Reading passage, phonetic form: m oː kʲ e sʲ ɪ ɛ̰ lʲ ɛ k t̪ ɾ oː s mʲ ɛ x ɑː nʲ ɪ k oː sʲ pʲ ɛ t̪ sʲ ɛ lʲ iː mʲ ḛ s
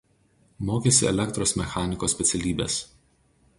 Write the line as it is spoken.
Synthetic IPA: m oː kʲ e sʲ ɪ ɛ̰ lʲ ɛ k t̪ ɾ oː s mʲ ɛ x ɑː nʲ ɪ k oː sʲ pʲ ɛ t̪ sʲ ɛ lʲ iː bʲ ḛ s